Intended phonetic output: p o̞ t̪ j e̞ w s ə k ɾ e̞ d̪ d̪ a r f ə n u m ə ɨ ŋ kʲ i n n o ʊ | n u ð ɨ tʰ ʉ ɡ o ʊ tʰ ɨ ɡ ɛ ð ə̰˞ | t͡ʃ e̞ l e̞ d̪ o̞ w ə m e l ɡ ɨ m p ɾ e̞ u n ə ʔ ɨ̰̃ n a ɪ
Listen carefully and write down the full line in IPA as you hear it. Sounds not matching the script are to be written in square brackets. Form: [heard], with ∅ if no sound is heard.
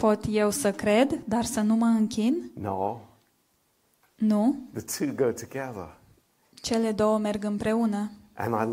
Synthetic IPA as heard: p o̞ t̪ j e̞ w s ə k ɾ e̞ d̪ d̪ a r [s] ə n u m ə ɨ ŋ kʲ i n n o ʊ | n u ð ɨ tʰ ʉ ɡ o ʊ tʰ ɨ ɡ ɛ ð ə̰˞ | t͡ʃ e̞ l e̞ d̪ o̞ w ə m e [r] ɡ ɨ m p ɾ e̞ u n ə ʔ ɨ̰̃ n a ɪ